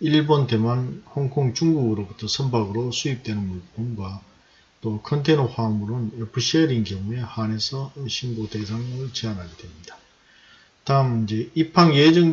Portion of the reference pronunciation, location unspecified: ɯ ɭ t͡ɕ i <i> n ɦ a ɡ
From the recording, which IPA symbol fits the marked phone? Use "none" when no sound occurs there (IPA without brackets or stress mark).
a